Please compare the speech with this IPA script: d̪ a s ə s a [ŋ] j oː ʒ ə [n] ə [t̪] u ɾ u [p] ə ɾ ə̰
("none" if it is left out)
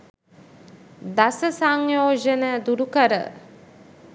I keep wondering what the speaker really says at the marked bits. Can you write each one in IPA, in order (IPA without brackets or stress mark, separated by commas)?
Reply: ŋ, n, d̪, k